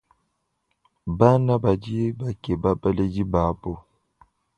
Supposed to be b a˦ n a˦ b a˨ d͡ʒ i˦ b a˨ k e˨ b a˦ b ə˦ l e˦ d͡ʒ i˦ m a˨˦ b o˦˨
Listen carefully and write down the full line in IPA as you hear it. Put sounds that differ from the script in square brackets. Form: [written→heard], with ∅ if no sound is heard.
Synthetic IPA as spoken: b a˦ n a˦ b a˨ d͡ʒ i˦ b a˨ k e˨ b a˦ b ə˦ l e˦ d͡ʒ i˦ [m→b] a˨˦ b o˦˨